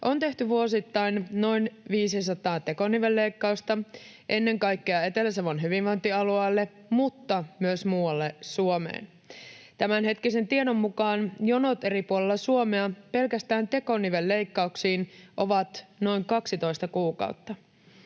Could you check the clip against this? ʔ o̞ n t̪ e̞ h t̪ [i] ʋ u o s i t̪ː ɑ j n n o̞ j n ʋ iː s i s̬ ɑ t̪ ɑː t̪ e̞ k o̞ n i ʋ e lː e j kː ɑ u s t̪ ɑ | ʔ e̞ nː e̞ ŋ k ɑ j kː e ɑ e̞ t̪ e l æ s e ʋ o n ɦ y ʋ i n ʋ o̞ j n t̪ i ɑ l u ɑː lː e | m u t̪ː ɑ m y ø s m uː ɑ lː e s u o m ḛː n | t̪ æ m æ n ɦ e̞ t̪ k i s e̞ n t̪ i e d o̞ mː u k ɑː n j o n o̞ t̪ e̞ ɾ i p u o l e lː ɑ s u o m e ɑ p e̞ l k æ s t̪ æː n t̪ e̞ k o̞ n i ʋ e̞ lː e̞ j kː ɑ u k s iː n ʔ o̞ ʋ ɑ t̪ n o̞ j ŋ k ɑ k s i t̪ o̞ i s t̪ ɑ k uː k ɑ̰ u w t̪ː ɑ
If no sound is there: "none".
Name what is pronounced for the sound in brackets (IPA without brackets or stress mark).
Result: y